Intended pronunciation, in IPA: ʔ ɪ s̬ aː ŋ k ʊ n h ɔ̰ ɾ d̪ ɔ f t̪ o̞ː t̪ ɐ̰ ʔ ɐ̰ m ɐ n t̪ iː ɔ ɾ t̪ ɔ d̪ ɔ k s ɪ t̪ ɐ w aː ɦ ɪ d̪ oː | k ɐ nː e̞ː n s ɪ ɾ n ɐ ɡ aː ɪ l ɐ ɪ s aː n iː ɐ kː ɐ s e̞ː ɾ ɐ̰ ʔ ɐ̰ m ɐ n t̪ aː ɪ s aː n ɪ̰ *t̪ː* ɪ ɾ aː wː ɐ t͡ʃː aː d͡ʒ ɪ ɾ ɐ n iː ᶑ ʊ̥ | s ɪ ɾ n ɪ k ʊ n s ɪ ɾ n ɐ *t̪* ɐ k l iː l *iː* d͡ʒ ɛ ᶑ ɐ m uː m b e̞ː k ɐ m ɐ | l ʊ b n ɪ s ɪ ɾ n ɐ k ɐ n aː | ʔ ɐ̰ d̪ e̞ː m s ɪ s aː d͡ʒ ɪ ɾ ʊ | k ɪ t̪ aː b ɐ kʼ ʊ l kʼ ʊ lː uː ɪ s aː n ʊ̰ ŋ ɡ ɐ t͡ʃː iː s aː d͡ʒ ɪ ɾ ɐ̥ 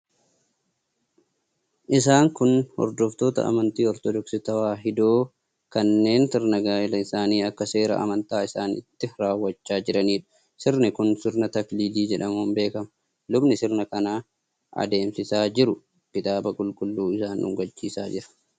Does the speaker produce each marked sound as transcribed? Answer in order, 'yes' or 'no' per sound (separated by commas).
yes, yes, yes